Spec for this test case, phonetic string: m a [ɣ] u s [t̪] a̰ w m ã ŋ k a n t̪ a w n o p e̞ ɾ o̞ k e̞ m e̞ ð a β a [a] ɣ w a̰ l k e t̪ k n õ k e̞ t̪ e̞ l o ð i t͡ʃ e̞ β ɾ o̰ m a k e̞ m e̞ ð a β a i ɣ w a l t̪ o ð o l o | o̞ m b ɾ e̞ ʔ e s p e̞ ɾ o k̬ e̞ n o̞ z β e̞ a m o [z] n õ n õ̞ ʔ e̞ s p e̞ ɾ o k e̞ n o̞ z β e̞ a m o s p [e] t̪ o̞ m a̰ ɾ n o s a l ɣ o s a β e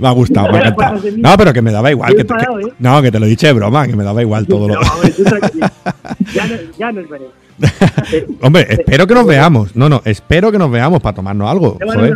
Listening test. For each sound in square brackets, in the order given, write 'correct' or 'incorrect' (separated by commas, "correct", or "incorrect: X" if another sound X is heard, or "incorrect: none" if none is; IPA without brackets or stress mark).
correct, correct, incorrect: i, incorrect: s, incorrect: a